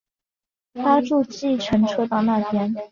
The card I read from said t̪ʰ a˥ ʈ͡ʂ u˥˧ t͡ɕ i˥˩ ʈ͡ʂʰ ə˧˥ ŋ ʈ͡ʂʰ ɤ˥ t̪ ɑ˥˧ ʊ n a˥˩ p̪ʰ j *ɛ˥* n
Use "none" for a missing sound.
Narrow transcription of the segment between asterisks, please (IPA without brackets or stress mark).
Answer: ɛ˥